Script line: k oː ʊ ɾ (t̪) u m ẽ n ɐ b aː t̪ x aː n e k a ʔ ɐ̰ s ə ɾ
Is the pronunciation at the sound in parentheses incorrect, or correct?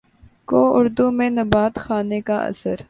incorrect